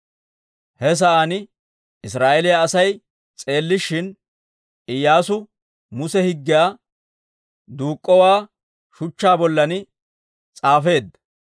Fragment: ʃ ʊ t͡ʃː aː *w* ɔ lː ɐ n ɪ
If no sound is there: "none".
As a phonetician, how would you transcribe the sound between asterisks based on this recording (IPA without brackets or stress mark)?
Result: b